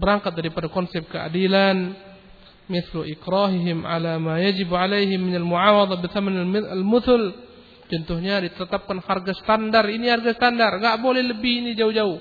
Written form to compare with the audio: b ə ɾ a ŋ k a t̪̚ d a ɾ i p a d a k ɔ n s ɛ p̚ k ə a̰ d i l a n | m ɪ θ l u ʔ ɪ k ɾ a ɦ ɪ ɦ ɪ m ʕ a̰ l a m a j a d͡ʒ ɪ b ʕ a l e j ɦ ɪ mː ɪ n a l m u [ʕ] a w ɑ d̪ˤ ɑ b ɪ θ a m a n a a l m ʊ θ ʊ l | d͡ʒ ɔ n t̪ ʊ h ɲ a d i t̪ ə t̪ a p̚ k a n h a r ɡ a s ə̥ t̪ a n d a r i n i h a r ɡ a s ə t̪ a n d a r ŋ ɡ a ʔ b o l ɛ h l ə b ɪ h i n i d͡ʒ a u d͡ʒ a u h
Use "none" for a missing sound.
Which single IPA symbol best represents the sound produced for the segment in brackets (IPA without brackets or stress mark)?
ʕ